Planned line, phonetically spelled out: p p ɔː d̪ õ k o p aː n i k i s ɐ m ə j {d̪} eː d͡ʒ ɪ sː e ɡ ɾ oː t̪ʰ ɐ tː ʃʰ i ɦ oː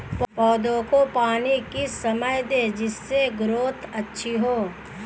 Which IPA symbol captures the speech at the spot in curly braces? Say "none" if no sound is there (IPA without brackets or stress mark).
d̪